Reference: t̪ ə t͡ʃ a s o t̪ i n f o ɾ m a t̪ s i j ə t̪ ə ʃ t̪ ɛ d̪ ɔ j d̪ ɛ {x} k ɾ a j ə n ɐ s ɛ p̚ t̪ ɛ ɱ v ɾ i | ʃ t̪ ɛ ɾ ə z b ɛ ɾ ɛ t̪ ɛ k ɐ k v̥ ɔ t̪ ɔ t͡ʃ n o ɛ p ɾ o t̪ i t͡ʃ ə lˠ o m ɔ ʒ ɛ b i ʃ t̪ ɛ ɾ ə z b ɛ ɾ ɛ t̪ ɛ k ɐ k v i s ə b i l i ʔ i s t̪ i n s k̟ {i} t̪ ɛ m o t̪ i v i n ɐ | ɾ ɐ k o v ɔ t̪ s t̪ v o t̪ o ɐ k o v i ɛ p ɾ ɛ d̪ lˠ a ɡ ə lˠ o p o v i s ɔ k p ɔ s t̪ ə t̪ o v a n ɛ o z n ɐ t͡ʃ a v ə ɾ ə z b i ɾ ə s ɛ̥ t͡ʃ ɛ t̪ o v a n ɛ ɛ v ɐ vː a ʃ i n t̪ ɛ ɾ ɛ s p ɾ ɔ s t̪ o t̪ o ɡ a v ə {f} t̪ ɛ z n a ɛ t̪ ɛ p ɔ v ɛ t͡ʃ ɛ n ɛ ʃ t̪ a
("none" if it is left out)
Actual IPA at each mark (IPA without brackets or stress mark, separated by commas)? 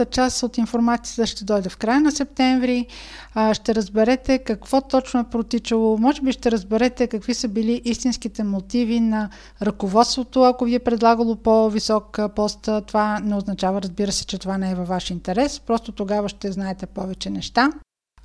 f, i, ʃ